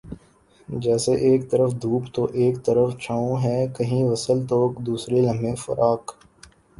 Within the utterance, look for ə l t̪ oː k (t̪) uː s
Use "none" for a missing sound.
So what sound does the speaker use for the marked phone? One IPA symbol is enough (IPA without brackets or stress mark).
d̪